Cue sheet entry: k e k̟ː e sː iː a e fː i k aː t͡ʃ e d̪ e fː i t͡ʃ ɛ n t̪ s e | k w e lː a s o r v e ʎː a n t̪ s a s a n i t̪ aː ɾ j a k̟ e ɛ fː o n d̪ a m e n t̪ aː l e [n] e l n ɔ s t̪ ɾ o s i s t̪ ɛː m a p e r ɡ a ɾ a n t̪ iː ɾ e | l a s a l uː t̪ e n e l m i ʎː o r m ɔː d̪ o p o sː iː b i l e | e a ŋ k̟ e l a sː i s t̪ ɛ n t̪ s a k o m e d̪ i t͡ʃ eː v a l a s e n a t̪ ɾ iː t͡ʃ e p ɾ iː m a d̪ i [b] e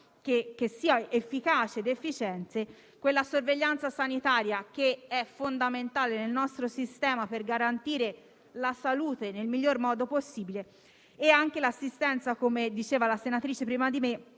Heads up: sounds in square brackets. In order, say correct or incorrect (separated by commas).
correct, incorrect